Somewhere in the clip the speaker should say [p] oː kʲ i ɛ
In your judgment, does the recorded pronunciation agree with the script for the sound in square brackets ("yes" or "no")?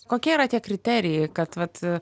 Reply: no